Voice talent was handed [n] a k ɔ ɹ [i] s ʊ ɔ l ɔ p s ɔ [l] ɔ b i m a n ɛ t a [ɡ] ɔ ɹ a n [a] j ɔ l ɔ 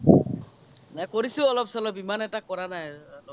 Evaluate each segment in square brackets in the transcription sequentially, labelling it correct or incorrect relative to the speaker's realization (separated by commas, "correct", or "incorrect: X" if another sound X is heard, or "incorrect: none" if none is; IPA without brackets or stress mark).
correct, correct, correct, incorrect: k, correct